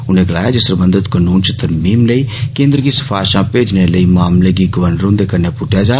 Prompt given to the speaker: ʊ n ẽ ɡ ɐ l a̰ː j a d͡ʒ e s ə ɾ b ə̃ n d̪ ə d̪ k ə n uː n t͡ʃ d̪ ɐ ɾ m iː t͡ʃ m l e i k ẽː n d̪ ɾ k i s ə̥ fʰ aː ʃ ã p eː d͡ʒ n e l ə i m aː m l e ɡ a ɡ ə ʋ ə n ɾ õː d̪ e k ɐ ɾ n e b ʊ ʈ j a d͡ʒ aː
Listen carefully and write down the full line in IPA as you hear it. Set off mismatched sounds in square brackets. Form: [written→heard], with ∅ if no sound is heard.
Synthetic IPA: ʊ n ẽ ɡ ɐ l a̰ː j a d͡ʒ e s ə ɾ b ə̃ n d̪ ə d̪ k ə n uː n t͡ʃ [d̪→t̪] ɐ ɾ m iː [t͡ʃ→∅] m l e i k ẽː n d̪ ɾ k i s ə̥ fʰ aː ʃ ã p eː d͡ʒ n e l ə i m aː m l e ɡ [a→i] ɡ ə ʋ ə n ɾ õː d̪ e k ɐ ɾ n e [b→p] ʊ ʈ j a d͡ʒ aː